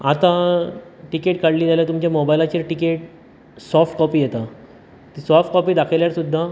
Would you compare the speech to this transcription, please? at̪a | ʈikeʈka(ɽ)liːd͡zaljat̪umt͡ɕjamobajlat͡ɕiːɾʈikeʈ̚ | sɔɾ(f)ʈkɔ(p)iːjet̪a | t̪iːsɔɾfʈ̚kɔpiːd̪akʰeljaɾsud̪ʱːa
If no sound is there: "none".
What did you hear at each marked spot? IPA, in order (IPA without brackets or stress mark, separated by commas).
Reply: ɽ, f, p